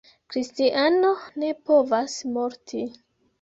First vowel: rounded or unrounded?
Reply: unrounded